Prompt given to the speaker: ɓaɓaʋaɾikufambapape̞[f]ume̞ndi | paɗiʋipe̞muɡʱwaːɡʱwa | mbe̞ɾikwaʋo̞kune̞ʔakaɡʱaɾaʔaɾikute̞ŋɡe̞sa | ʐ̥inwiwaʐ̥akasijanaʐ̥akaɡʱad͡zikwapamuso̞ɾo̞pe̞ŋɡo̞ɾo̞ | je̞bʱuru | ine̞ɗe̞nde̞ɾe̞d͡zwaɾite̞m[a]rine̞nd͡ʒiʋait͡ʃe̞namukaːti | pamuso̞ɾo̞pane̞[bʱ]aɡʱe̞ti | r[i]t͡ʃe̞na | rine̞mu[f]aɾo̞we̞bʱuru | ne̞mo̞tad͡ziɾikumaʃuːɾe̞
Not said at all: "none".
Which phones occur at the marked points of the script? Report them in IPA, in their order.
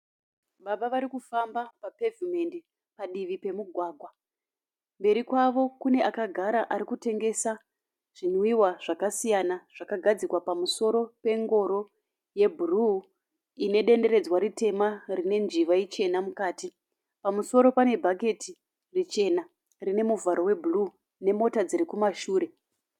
v, a, bʱ, i, v

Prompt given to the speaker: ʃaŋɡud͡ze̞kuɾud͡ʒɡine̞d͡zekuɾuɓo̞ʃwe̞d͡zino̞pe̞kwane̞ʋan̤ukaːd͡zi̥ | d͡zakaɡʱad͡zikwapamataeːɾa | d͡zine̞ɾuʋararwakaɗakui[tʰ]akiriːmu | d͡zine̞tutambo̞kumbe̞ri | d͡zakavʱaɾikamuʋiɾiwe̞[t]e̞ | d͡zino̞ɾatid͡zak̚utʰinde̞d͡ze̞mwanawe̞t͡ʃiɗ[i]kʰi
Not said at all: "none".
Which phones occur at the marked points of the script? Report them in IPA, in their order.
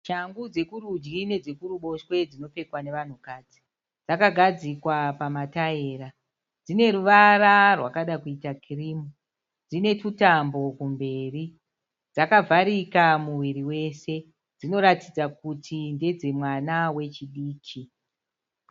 t, s, iː

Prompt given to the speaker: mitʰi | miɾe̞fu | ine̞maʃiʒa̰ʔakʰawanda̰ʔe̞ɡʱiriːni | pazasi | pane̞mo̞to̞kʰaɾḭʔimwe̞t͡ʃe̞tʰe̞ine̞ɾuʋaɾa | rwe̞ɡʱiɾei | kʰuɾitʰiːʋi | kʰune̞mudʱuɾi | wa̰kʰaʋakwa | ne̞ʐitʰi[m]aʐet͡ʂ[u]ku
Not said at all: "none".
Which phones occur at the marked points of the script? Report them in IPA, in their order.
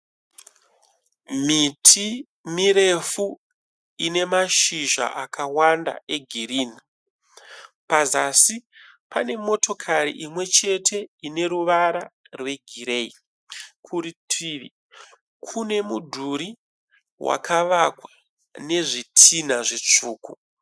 n, uː

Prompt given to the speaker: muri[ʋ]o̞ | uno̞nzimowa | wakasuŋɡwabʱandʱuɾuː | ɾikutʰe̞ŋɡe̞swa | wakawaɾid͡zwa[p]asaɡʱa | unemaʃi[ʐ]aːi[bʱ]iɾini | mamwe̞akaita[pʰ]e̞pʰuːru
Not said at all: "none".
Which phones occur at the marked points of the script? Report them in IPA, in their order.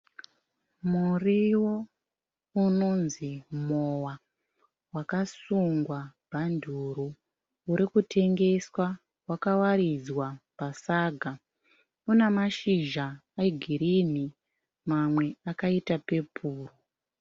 w, p, ʒ, ɡʱ, p

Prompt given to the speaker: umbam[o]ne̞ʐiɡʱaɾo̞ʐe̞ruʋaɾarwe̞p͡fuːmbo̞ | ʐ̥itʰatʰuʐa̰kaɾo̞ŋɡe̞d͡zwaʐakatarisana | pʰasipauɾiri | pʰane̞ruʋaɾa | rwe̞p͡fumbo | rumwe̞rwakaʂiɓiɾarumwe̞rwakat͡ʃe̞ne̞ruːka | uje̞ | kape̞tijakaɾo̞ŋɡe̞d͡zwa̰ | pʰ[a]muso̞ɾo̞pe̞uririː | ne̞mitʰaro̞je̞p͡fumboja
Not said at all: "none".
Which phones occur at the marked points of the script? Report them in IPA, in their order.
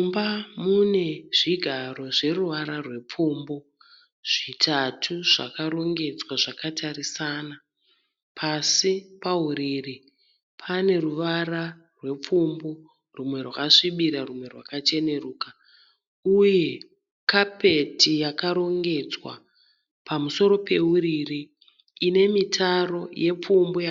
u, a

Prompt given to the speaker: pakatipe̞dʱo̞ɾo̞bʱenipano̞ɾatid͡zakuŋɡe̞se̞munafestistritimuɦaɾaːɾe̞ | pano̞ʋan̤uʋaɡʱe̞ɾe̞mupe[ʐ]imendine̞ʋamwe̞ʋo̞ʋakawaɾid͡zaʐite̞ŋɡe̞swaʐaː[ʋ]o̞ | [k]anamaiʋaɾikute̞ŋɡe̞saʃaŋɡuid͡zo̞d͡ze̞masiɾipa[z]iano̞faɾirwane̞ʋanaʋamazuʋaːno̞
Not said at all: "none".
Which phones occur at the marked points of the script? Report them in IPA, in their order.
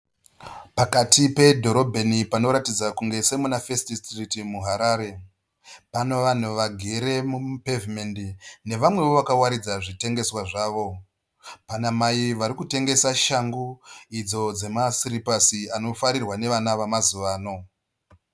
v, ʋ, p, s

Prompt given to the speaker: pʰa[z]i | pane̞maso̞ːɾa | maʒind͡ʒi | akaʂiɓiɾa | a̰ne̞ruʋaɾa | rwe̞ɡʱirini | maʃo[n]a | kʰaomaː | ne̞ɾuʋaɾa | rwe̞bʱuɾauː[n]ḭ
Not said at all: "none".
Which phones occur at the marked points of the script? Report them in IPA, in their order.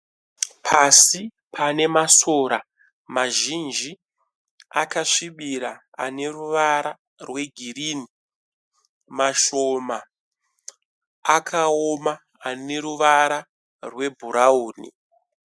s, m, n

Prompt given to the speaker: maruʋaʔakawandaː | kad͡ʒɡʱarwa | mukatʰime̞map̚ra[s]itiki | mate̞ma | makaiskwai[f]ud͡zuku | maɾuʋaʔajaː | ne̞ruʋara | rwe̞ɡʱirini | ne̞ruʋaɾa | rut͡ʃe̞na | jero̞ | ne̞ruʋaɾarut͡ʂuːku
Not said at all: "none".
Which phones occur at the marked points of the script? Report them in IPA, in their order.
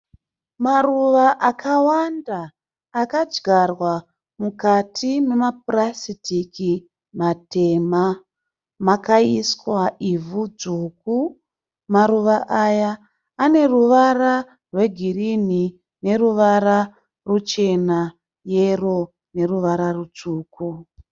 s, v

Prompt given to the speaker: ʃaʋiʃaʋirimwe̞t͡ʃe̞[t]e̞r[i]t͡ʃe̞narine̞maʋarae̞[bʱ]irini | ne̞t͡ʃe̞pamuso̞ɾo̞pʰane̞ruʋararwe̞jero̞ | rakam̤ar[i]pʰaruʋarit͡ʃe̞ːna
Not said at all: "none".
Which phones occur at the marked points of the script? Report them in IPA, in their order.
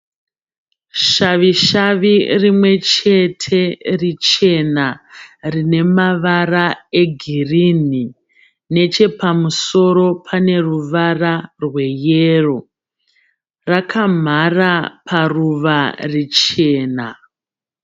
tʰ, i, ɡʱ, a

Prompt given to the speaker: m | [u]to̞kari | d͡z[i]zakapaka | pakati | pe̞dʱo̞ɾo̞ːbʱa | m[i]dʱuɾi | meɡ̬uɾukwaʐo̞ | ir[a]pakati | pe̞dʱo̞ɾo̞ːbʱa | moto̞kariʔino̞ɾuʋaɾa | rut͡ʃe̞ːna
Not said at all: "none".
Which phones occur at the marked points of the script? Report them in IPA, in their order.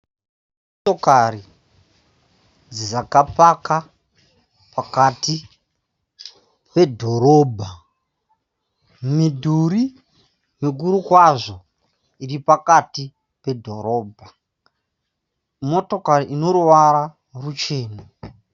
o, i, i, i

